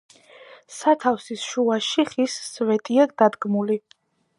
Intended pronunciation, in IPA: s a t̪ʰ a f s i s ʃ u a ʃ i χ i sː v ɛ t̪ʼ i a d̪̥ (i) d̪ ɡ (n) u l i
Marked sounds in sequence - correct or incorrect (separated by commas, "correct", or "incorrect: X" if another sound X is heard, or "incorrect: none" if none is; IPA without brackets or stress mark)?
incorrect: a, incorrect: m